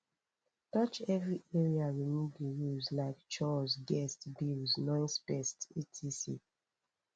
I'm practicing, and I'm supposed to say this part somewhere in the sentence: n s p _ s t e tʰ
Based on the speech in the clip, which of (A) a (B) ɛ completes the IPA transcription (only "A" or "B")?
B